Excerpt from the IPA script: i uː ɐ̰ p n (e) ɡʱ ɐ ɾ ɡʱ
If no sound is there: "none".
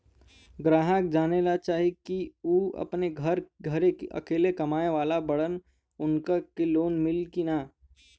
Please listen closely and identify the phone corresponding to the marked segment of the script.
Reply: e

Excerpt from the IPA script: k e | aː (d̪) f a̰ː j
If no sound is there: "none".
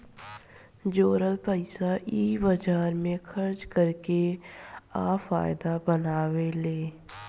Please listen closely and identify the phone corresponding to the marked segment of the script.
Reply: none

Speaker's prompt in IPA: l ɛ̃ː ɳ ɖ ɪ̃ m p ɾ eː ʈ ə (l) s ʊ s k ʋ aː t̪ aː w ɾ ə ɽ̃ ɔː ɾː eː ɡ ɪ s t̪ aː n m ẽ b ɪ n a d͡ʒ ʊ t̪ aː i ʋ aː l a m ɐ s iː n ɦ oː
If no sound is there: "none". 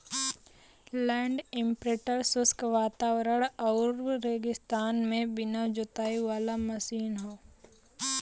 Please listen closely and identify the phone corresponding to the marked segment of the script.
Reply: ɾ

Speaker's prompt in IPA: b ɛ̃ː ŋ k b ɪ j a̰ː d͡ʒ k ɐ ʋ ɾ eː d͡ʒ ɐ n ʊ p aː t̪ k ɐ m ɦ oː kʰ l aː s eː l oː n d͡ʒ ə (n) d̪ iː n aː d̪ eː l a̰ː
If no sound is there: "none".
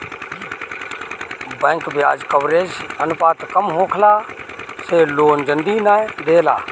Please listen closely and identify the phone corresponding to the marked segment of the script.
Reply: n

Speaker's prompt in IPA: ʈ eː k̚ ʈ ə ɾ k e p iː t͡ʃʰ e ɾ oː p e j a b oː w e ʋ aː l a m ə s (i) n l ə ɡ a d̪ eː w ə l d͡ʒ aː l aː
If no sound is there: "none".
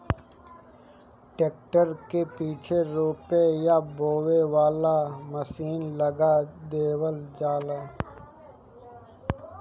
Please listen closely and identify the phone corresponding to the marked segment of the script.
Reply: iː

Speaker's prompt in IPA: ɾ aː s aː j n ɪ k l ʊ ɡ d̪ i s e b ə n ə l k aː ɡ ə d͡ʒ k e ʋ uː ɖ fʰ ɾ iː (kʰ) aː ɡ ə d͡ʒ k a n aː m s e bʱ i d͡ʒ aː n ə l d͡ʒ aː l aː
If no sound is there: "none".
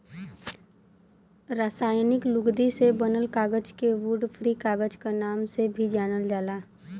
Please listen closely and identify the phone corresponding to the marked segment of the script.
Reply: k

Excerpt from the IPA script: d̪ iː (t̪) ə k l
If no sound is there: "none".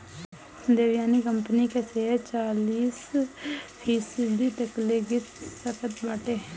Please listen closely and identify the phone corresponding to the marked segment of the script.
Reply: t̪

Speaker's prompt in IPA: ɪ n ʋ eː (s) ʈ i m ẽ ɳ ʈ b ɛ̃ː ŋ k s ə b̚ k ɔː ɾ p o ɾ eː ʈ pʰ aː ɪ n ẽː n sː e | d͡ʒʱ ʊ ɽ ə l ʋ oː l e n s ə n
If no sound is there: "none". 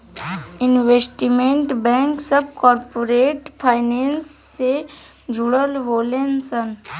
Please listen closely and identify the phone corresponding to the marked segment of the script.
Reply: s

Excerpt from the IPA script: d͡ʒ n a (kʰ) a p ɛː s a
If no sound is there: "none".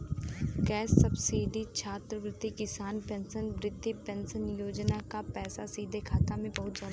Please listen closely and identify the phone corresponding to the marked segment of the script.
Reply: k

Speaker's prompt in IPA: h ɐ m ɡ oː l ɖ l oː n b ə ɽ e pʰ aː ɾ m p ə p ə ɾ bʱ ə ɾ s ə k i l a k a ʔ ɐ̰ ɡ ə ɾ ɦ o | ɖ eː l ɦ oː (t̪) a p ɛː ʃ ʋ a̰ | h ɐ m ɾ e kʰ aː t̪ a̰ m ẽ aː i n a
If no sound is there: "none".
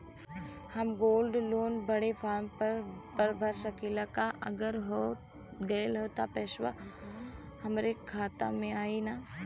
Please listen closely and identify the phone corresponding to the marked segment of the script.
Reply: t̪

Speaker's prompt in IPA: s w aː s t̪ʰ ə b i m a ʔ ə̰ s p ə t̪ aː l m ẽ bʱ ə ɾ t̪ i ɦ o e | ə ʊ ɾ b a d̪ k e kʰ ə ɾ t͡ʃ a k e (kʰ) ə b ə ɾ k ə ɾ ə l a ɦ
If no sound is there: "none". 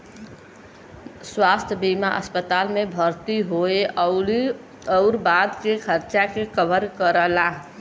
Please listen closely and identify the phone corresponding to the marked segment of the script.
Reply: k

